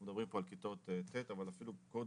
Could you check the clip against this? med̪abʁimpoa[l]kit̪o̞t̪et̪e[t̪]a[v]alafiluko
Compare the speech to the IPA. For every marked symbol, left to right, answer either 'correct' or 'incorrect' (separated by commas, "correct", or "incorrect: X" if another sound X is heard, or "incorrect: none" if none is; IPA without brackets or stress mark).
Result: correct, correct, correct